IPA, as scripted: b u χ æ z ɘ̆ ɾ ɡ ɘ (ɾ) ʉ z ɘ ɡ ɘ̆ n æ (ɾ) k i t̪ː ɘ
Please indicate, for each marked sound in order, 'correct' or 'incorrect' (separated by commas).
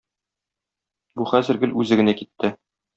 incorrect, incorrect